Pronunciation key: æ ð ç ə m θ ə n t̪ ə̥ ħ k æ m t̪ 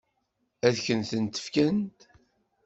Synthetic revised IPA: æ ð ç ə n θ ə n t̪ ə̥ f k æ n t̪